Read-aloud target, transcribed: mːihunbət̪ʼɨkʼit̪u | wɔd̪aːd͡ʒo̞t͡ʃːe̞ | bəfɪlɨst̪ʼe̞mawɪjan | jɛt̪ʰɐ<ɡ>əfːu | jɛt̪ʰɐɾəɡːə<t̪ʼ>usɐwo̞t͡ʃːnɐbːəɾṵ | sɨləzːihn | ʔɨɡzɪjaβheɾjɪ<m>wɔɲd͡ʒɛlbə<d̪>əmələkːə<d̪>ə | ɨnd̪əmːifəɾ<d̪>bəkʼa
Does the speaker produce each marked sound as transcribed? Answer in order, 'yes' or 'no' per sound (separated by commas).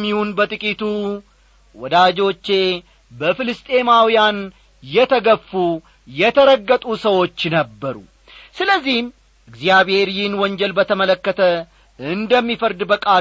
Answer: yes, yes, no, no, no, yes